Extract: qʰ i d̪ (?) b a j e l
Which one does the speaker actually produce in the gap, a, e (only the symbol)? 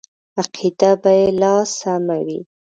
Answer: a